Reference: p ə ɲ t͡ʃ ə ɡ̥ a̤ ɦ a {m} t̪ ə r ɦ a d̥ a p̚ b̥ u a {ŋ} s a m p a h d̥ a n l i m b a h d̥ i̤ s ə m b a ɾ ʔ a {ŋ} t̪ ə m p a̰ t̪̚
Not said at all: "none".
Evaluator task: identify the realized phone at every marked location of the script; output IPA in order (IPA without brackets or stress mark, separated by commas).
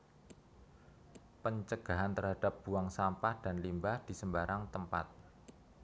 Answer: n, ŋ, ŋ